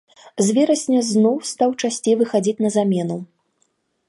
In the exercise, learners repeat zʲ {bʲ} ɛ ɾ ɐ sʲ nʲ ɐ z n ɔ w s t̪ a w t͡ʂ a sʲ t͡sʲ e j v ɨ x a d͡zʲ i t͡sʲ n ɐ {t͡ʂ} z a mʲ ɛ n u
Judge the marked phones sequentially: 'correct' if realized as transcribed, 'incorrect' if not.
incorrect: vʲ, incorrect: none

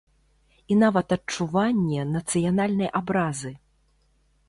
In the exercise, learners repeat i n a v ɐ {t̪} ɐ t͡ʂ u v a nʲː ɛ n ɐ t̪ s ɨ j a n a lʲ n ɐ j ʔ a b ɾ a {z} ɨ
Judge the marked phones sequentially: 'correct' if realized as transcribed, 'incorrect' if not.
correct, correct

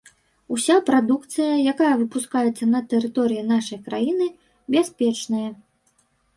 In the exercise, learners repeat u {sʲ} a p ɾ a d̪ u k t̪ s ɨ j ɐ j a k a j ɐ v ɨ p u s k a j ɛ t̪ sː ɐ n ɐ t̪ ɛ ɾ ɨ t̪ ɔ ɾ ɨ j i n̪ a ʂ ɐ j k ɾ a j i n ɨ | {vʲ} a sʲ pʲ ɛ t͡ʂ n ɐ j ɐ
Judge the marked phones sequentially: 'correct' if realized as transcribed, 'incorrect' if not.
correct, incorrect: bʲ

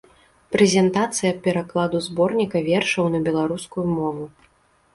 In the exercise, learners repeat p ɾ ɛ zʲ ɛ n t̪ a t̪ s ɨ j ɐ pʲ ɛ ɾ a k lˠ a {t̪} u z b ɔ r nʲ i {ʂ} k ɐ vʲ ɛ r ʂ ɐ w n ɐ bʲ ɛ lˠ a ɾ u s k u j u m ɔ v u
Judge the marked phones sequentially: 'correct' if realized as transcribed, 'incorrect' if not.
incorrect: d̪, incorrect: none

